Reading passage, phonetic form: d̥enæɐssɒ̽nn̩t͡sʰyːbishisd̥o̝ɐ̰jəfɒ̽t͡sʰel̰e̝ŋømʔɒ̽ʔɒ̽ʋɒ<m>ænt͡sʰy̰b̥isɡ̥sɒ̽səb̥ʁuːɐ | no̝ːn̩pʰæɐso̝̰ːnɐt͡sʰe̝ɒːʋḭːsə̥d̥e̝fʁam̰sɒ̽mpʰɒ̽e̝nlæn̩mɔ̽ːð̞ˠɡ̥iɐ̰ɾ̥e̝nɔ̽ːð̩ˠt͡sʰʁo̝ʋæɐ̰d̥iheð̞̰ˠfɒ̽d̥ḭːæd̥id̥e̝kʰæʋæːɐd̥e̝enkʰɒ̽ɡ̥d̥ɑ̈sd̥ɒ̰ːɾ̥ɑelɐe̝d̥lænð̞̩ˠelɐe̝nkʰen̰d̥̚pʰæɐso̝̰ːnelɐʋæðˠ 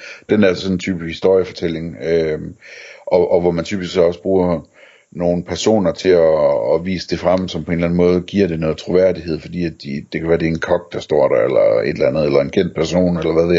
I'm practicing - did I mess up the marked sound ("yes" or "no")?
no